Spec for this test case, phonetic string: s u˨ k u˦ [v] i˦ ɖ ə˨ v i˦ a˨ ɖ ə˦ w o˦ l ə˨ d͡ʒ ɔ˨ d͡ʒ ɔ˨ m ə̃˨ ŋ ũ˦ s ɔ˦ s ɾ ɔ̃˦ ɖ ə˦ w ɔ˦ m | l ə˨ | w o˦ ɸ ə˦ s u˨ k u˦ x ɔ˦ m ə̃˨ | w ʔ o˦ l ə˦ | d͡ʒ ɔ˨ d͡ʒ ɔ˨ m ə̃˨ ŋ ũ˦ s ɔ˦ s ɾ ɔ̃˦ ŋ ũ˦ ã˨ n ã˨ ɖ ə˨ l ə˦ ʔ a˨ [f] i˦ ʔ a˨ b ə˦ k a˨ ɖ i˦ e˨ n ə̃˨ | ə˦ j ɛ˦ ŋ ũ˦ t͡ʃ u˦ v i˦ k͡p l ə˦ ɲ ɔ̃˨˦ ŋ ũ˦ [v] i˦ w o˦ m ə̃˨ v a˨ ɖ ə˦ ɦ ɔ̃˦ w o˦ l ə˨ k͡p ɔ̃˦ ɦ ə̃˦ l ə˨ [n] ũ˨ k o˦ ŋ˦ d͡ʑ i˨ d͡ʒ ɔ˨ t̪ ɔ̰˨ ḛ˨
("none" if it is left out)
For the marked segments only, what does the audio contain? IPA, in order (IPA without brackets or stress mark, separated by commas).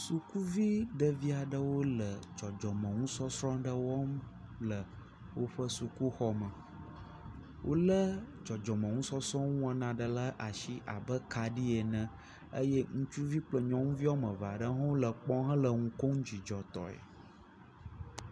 v, ʃ, v, ŋ